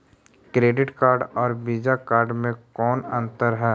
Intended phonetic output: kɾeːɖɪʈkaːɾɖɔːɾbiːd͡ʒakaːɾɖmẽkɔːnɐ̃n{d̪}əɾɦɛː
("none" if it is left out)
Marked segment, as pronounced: t̪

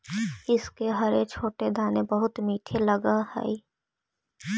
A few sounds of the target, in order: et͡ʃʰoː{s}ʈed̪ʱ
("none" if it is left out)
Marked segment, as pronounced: none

